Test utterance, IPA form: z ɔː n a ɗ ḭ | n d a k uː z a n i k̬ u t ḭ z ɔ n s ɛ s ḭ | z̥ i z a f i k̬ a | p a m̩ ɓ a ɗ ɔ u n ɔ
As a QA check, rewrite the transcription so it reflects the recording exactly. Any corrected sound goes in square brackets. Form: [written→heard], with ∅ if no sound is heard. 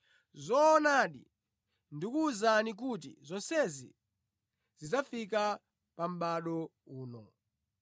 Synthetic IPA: z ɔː n a ɗ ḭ | n d [a→i] k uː z a n i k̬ u t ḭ z ɔ n s ɛ [s→z] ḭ | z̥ i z a f i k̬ a | p a m̩ ɓ a ɗ ɔ [u→uː] n ɔ